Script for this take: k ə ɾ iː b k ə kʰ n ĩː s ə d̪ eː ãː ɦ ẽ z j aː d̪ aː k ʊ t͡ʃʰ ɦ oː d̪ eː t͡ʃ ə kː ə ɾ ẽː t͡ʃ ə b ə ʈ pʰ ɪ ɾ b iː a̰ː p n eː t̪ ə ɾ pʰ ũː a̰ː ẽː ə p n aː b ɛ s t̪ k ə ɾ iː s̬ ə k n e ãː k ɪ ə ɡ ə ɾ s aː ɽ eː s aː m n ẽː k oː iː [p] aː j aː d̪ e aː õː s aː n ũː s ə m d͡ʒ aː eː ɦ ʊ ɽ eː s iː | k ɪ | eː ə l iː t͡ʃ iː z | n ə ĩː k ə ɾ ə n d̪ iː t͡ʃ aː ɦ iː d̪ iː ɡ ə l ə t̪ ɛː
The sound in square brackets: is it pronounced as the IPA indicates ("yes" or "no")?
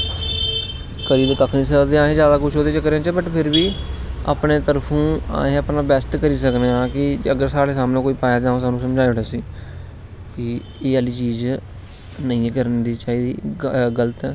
yes